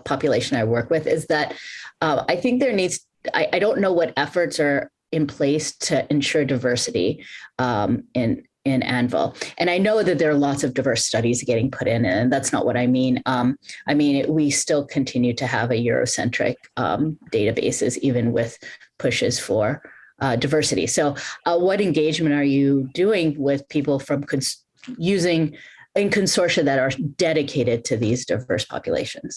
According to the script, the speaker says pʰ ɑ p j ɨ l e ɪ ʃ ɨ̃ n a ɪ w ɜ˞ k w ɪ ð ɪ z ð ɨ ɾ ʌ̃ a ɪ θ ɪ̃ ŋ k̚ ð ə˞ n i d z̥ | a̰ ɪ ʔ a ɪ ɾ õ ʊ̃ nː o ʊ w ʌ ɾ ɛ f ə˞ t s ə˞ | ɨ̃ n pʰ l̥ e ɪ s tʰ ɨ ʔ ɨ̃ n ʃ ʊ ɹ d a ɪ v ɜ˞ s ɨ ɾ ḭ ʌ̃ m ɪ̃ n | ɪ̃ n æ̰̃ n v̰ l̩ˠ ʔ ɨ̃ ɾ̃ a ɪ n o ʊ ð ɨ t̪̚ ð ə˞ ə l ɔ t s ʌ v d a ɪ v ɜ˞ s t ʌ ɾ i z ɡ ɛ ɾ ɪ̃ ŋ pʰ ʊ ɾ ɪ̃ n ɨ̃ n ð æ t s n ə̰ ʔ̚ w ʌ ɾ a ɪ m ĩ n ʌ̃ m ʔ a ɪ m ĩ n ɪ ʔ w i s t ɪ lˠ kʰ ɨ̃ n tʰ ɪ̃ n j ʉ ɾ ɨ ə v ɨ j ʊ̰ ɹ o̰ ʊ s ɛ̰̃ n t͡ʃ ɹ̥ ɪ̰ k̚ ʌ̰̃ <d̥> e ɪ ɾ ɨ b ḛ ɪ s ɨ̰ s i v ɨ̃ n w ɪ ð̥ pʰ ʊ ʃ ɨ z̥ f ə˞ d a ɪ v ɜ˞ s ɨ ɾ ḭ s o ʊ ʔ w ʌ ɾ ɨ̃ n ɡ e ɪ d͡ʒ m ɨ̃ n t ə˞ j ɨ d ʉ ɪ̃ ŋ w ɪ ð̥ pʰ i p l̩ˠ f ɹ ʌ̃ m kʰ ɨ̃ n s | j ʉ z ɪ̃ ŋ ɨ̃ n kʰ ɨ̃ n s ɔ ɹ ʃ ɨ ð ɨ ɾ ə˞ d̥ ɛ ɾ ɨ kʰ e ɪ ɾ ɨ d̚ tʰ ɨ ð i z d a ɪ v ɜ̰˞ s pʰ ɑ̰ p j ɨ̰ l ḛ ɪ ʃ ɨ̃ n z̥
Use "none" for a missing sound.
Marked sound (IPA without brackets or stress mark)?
d̥